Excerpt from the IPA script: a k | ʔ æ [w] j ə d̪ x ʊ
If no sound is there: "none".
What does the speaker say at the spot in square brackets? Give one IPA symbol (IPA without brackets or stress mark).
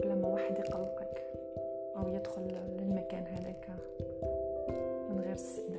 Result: w